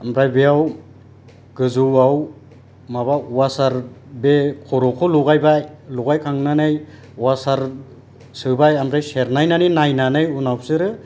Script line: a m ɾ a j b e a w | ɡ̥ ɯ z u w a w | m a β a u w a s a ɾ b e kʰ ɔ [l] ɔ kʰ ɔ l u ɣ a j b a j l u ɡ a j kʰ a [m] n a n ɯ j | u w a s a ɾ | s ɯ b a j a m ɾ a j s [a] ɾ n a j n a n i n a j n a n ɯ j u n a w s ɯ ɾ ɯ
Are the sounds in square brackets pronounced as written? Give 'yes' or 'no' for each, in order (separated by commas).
no, no, no